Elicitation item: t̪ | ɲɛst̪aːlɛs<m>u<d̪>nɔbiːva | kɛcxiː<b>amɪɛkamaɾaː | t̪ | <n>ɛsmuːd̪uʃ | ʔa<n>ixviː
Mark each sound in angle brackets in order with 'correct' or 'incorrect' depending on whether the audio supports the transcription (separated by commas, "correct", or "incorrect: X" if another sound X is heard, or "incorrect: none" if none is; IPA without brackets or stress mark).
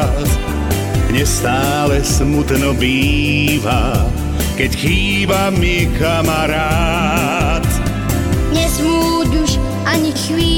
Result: correct, incorrect: t̪, correct, incorrect: ɲ, incorrect: ɲ